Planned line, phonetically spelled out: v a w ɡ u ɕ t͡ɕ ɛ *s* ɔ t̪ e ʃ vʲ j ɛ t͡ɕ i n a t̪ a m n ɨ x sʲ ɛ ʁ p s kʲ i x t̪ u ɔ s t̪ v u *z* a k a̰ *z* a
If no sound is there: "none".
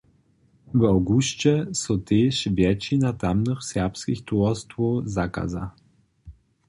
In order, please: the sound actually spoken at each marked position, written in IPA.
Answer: s, z, z

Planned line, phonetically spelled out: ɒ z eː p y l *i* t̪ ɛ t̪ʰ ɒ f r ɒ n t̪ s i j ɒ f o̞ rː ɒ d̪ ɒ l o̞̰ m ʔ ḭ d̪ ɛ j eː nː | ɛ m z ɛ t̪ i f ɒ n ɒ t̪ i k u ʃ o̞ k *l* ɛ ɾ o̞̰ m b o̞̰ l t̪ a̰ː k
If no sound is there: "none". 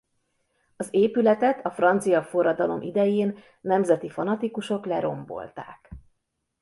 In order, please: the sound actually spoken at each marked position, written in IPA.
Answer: ɛ, l

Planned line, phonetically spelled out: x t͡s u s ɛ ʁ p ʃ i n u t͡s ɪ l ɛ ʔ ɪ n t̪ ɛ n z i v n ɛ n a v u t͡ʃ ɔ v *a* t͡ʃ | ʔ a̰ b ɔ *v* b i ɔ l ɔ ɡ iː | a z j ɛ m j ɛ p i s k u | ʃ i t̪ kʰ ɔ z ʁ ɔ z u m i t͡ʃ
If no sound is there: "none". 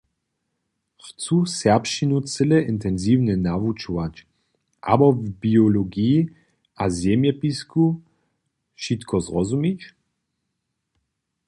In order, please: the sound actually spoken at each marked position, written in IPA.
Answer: a, v

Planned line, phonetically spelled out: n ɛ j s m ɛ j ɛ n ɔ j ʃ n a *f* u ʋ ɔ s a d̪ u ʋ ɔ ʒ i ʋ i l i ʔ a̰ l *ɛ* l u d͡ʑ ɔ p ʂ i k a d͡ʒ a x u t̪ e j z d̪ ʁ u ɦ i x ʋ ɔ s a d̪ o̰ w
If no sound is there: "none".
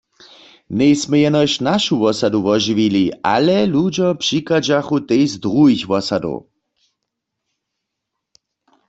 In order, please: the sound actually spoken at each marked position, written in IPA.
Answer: ʃ, ɛ

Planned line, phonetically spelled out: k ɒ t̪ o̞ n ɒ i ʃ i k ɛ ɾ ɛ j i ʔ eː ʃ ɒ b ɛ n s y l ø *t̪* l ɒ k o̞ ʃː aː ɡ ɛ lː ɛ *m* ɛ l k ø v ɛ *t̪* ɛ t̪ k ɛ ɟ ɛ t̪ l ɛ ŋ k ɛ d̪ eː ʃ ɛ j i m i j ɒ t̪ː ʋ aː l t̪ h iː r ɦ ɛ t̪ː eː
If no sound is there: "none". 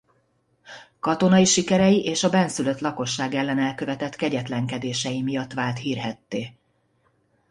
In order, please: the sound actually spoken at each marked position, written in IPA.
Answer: t̪, n, t̪

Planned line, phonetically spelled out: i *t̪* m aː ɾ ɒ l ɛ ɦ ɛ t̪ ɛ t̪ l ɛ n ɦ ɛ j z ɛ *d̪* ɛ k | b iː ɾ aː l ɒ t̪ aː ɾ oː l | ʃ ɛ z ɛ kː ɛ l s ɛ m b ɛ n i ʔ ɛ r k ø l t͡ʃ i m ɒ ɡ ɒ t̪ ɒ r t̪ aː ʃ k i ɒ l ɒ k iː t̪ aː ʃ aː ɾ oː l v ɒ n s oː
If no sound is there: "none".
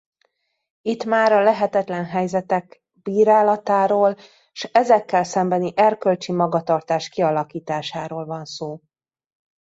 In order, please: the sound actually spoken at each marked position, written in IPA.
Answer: t̪, t̪

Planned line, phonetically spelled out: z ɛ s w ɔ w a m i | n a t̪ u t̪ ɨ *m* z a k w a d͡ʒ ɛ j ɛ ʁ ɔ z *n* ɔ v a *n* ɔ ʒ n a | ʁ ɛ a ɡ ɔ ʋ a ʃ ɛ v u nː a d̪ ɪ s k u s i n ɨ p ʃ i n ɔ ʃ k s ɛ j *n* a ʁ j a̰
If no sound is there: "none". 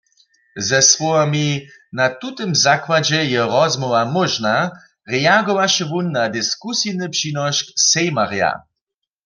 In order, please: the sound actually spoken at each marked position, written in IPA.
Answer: m, m, m, m

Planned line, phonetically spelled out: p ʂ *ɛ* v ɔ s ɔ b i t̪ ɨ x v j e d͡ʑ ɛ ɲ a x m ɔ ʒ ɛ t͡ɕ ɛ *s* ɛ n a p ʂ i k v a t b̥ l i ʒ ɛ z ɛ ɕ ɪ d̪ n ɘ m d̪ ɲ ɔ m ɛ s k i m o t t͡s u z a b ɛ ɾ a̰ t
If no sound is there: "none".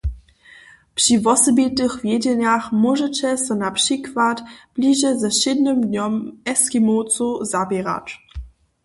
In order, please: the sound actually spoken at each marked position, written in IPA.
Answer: i, s

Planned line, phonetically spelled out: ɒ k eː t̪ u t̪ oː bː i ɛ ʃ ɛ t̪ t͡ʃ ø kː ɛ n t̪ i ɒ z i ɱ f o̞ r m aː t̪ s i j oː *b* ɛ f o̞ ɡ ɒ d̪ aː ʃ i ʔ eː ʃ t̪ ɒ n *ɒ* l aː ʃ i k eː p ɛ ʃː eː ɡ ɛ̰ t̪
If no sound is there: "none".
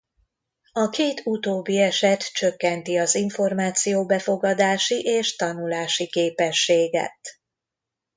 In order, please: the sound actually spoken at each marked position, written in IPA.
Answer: b, u

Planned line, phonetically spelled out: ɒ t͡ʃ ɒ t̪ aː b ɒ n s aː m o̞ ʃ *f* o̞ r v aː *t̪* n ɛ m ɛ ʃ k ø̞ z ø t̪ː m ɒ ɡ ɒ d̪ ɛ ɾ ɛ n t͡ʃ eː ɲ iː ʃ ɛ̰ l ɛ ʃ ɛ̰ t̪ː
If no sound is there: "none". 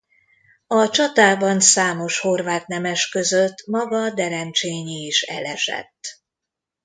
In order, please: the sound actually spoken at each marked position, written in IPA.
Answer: h, t̪

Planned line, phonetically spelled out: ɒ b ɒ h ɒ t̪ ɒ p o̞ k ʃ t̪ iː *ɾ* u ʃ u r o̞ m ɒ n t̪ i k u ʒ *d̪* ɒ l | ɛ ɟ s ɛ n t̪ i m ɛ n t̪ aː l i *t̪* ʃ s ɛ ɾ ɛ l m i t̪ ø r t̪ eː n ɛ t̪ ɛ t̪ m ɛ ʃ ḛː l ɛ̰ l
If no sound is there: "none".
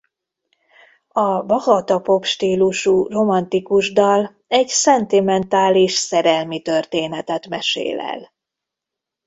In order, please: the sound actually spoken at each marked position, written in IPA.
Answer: l, d̪, none

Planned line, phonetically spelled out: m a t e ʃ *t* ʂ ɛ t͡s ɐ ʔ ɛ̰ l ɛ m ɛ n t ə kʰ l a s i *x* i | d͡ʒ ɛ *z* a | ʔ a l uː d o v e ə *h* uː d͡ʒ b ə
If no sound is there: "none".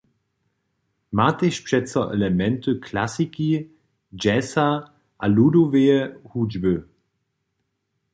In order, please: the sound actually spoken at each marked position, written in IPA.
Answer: p, k, s, h

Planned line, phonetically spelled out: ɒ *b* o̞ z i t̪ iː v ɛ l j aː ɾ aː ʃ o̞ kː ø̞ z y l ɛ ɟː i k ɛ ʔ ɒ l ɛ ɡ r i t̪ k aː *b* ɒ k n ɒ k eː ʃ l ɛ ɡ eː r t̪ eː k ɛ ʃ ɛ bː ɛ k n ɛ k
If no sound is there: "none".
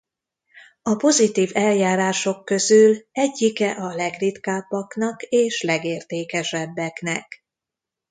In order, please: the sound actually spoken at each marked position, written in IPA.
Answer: p, bː

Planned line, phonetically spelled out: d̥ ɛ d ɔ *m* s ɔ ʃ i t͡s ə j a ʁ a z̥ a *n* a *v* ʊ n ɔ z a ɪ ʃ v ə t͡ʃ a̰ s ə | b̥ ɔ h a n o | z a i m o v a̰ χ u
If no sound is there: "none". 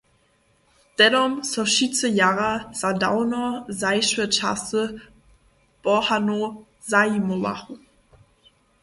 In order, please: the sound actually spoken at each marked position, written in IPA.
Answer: m, d, none

